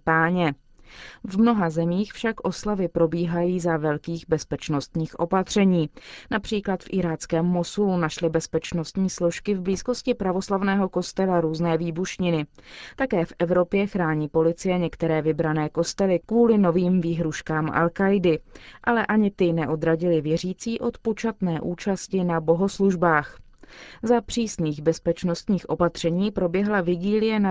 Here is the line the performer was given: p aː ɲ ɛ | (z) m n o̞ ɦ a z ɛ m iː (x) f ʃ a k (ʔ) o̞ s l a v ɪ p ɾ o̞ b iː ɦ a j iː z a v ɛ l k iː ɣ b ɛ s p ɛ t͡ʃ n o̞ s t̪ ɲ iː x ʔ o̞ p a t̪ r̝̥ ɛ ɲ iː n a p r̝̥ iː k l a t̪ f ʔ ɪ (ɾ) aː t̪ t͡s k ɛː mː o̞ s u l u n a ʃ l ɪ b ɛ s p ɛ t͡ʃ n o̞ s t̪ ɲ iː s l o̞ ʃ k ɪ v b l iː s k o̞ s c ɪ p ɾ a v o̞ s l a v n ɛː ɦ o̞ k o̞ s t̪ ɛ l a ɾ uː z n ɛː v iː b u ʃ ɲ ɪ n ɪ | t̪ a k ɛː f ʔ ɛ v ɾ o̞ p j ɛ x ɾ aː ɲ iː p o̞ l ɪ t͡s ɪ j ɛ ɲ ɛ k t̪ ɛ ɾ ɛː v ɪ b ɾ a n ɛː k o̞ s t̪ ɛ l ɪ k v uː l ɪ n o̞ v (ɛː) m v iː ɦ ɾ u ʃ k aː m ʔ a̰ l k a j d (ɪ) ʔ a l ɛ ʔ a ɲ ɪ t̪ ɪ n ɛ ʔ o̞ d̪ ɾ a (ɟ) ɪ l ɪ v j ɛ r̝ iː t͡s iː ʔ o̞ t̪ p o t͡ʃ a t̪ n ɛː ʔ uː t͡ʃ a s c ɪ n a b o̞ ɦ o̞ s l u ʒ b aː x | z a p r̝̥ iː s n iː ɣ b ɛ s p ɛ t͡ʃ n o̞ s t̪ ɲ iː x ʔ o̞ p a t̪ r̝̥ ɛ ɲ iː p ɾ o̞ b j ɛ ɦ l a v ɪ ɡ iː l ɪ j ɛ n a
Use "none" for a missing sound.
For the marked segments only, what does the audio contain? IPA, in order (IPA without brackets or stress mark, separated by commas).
v, x, ʔ, ɾ, iː, ɪ, ɟ